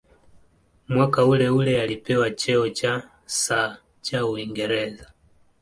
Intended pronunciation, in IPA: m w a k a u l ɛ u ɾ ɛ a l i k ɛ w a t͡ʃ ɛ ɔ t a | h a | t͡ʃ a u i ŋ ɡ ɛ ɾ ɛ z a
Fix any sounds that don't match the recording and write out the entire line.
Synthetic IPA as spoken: m w a k a u l ɛ u l ɛ a l i p ɛ w a t͡ʃ ɛ ɔ t͡ʃ a | s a | t͡ʃ a u i ŋ ɡ ɛ ɾ ɛ z a